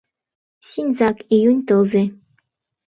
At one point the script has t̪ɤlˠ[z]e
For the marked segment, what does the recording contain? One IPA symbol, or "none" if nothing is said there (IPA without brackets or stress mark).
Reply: z